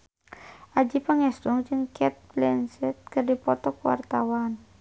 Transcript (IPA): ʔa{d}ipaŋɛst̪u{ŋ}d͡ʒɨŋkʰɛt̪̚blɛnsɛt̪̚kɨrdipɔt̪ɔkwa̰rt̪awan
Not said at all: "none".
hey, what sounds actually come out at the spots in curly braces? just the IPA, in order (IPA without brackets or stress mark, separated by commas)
d͡ʒ, ŋ